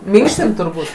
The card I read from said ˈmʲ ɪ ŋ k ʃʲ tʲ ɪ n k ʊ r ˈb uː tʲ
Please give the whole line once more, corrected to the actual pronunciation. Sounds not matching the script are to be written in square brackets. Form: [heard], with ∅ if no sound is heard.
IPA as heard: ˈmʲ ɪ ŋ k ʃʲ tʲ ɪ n [t] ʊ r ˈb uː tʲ

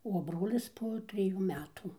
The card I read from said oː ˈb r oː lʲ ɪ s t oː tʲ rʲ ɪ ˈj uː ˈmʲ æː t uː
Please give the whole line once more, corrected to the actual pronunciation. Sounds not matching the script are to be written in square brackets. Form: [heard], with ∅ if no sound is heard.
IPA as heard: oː ˈb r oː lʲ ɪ s [p] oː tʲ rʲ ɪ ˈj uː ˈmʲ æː t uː

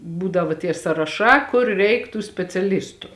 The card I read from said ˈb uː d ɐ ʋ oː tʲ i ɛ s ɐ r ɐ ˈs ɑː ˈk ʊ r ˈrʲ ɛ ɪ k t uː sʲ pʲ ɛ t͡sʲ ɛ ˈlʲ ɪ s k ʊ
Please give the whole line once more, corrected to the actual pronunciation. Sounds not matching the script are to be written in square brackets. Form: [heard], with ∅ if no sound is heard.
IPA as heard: ˈb uː d ɐ ʋ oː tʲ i ɛ s ɐ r ɐ [ˈʃ] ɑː ˈk ʊ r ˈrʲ ɛ ɪ k t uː sʲ pʲ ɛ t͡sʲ ɛ ˈlʲ ɪ s [t] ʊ

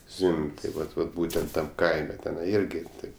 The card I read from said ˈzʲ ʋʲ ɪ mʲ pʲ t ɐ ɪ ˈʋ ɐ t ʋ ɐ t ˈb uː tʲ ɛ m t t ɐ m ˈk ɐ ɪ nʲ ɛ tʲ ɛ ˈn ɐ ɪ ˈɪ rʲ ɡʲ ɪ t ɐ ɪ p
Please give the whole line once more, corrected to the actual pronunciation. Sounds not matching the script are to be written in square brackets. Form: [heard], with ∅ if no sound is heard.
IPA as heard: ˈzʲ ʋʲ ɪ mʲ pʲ t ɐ ɪ ˈʋ ɐ t ʋ ɐ t ˈb uː tʲ ɛ [n] t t ɐ m ˈk ɐ ɪ [mʲ] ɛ tʲ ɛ ˈn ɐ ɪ ˈɪ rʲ ɡʲ ɪ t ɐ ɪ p

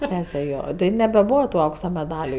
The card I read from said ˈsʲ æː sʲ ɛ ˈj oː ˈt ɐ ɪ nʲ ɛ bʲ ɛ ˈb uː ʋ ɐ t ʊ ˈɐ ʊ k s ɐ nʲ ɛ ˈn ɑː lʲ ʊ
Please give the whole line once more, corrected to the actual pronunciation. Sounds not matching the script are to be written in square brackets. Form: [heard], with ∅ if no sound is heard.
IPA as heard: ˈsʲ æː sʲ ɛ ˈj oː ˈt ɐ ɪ nʲ ɛ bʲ ɛ ˈb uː ʋ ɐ t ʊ ˈɐ ʊ k s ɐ [mʲ] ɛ [ˈd] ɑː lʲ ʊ

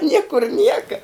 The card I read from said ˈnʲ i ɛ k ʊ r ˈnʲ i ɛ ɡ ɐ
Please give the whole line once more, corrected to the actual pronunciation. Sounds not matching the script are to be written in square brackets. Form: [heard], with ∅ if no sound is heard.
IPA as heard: ˈnʲ i ɛ k ʊ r ˈnʲ i ɛ [k] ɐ

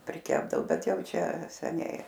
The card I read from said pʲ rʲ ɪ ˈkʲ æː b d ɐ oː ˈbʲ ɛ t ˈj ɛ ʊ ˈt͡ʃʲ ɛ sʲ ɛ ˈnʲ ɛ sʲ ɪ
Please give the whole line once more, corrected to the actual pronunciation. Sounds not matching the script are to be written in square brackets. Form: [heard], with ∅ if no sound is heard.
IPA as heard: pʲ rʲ ɪ ˈkʲ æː b d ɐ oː ˈbʲ ɛ t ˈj ɛ ʊ ˈt͡ʃʲ ɛ sʲ ɛ ˈnʲ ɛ [∅] ɪ

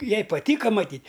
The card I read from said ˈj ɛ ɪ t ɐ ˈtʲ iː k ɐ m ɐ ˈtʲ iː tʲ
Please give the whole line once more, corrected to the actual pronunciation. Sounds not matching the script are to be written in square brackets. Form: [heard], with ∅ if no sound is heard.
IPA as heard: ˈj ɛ ɪ [p] ɐ ˈtʲ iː k ɐ m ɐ ˈtʲ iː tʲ

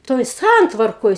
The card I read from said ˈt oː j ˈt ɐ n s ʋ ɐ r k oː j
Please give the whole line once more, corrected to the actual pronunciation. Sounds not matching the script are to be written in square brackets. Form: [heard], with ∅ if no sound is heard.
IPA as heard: ˈt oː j [ˈs] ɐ n [t] ʋ ɐ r k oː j

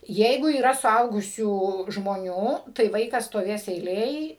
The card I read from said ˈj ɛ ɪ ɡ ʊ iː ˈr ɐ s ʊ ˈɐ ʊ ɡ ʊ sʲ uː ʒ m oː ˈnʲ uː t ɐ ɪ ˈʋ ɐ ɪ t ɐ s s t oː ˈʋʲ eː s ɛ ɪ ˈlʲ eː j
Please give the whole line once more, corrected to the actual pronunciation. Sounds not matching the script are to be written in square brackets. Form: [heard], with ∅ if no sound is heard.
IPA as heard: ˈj ɛ ɪ ɡ ʊ iː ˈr ɐ s ʊ ˈɐ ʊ ɡ ʊ sʲ uː ʒ m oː ˈnʲ uː t ɐ ɪ ˈʋ ɐ ɪ [k] ɐ s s t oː ˈʋʲ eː s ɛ ɪ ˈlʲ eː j

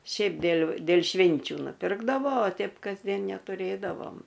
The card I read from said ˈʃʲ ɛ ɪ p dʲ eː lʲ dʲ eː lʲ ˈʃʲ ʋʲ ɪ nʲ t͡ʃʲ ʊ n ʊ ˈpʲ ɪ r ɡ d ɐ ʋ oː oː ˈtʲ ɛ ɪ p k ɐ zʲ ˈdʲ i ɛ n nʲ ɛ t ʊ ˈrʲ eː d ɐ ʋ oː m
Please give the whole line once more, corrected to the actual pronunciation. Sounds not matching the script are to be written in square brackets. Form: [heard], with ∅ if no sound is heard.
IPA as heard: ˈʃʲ ɛ ɪ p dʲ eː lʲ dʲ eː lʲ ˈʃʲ ʋʲ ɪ nʲ t͡ʃʲ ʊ n ʊ ˈpʲ ɪ r ɡ d ɐ ʋ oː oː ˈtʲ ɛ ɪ p k ɐ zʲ ˈdʲ i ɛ n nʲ ɛ t ʊ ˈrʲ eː d ɐ ʋ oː m

